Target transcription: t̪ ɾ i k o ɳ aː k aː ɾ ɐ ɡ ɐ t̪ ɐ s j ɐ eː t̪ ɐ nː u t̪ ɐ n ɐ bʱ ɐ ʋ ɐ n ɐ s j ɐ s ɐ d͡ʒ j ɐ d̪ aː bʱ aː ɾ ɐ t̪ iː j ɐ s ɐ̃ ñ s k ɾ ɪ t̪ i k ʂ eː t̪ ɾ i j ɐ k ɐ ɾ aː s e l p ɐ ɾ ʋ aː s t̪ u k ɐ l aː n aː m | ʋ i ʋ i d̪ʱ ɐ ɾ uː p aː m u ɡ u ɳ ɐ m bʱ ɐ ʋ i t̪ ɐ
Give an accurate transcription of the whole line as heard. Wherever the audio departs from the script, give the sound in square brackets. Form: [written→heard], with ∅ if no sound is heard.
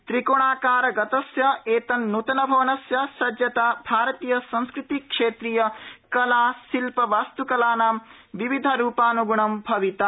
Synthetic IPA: t̪ ɾ i k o ɳ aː k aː ɾ ɐ ɡ ɐ t̪ ɐ s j ɐ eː t̪ ɐ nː u t̪ ɐ n ɐ bʱ ɐ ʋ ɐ n ɐ s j ɐ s ɐ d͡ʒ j ɐ [d̪→t̪] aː bʱ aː ɾ ɐ t̪ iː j ɐ s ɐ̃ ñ s k ɾ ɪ t̪ i k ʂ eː t̪ ɾ i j ɐ k ɐ [ɾ→l] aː s [e→i] l p ɐ [ɾ→∅] ʋ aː s t̪ u k ɐ l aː n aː m | ʋ i ʋ i d̪ʱ ɐ ɾ uː p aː [m→n] u ɡ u ɳ ɐ m bʱ ɐ ʋ i t̪ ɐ